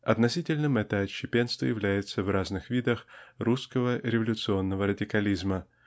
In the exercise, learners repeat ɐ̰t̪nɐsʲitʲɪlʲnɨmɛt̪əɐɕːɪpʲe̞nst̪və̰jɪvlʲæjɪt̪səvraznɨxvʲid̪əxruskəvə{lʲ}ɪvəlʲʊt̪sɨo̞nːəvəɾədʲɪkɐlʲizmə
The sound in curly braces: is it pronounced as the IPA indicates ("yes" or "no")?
no